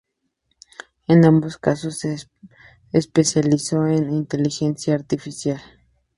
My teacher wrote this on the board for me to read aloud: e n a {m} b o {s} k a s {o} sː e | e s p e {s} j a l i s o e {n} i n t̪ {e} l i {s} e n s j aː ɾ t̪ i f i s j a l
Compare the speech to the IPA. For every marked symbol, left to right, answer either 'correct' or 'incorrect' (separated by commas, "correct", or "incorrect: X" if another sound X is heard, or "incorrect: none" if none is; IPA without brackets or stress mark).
correct, correct, correct, correct, correct, correct, incorrect: x